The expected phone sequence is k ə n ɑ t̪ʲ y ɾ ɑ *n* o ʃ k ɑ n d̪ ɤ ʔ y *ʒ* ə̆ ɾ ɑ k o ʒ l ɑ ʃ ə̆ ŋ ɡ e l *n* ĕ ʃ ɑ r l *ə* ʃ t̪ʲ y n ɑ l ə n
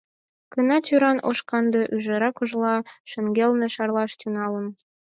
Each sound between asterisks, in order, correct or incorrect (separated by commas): correct, correct, correct, incorrect